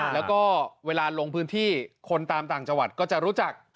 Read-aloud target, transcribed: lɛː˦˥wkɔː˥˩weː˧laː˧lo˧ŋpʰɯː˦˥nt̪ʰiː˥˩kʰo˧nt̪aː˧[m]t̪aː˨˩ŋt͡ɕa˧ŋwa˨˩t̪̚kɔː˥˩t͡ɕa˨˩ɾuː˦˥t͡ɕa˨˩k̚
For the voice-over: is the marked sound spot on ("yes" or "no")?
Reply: yes